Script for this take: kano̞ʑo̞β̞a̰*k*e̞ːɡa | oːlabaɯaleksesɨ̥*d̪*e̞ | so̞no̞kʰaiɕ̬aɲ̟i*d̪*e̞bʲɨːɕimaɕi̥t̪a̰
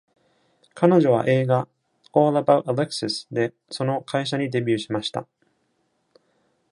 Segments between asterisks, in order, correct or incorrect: incorrect, correct, correct

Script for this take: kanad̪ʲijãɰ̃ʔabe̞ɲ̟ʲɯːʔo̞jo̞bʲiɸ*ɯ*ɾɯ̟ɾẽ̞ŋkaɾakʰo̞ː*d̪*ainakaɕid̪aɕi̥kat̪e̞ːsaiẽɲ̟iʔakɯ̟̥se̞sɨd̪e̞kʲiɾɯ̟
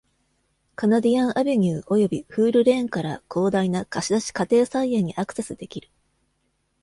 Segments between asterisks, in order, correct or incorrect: incorrect, correct

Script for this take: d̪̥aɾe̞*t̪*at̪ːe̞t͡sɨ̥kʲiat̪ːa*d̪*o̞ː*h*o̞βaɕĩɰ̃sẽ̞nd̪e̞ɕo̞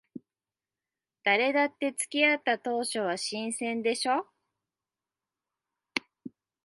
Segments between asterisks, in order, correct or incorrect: incorrect, incorrect, incorrect

